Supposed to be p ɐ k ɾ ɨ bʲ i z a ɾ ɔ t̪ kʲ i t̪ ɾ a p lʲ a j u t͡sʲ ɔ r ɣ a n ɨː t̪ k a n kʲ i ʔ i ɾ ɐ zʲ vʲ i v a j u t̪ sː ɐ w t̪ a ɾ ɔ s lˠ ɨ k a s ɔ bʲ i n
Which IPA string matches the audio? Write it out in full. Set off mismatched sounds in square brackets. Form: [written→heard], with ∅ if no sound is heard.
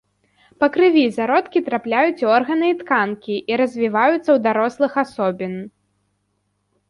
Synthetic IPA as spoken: p ɐ k ɾ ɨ [bʲ→vʲ] i z a ɾ ɔ t̪ kʲ i t̪ ɾ a p lʲ a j u t͡sʲ ɔ r ɣ [a→ɐ] n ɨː t̪ k a n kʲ i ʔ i ɾ ɐ zʲ vʲ i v a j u t̪ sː ɐ w [t̪→d̪] a ɾ ɔ s lˠ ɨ [k→x] a s ɔ bʲ i n